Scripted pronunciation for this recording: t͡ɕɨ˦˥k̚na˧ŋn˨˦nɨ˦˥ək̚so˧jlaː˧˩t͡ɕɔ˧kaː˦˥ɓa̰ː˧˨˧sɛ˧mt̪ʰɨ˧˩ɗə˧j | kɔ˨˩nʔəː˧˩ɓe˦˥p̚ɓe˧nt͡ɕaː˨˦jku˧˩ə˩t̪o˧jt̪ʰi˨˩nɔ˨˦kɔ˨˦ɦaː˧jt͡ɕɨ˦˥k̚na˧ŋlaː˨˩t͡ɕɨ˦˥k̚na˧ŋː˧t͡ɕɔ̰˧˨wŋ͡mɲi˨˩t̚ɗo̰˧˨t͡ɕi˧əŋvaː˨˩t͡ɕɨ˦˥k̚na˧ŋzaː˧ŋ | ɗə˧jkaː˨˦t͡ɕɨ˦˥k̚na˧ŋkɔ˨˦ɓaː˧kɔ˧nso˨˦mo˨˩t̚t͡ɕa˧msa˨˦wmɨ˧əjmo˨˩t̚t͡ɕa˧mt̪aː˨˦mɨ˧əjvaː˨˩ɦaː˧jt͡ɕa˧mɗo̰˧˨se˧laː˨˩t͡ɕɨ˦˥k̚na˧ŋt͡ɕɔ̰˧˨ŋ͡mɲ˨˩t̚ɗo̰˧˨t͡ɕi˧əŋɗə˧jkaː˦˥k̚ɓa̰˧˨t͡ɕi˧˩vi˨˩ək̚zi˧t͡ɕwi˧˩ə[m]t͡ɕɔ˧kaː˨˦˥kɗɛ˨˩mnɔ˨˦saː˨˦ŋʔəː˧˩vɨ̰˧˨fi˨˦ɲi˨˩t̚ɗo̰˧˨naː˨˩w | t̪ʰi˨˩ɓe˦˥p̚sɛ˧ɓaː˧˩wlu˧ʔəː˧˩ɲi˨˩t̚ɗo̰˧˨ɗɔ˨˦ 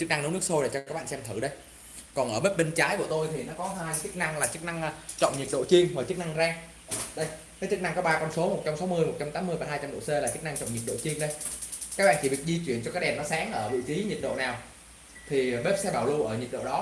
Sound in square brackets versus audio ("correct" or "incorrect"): incorrect